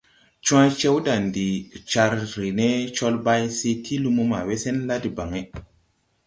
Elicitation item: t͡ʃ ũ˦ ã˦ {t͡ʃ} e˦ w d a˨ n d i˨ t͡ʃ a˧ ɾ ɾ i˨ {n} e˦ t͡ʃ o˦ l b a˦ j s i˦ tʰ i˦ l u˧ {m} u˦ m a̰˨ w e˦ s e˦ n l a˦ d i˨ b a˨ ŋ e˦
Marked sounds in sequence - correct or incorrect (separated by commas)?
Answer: correct, correct, correct